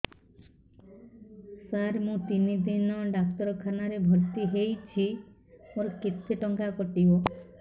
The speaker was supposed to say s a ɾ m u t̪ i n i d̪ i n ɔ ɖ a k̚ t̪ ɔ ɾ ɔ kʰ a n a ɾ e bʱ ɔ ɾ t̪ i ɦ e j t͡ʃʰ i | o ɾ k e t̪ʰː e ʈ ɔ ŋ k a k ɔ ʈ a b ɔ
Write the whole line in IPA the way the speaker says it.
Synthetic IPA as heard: s a ɾ m ũ t̪ i n i d̪ i n ɔ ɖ a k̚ t̪ ɔ ɾ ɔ kʰ a n a ɾ e bʱ ɔ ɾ t̪ i ɦ e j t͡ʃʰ i | o ɾ k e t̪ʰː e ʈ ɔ ŋ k a k ɔ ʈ i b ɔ